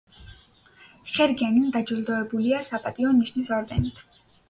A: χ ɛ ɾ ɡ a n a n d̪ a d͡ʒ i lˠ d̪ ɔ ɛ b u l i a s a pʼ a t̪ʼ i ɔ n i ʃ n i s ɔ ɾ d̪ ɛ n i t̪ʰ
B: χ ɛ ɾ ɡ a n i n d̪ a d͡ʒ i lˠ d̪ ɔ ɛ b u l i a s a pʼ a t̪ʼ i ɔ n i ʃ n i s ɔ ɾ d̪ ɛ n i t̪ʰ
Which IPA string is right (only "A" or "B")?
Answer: B